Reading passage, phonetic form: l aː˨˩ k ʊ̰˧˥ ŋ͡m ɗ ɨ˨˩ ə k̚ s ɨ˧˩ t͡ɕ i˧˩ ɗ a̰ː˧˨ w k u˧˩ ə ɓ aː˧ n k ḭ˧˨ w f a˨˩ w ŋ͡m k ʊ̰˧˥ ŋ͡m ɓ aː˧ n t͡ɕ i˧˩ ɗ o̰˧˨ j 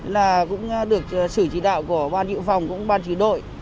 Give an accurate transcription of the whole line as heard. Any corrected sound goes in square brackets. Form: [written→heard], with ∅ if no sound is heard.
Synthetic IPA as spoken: l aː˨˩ k ʊ̰˧˥ ŋ͡m ɗ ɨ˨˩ ə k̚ s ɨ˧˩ t͡ɕ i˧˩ ɗ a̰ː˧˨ w k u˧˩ ə ɓ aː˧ n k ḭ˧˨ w f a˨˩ w ŋ͡m k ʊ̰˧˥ ŋ͡m ɓ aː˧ n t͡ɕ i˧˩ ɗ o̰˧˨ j